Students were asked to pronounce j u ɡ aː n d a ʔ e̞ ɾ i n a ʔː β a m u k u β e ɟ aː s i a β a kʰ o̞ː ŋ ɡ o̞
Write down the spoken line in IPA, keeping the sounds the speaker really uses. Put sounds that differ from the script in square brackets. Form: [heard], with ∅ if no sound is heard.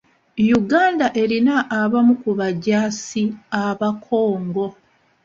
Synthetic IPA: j u ɡ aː n d a ʔ e̞ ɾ i n a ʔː β a m u k u β [a] ɟ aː s i a β a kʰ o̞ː ŋ ɡ o̞